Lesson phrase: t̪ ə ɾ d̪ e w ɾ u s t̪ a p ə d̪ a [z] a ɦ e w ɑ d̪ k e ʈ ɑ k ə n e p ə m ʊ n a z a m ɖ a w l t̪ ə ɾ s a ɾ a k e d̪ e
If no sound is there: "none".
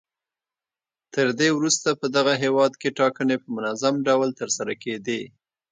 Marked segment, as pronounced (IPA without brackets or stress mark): ɣ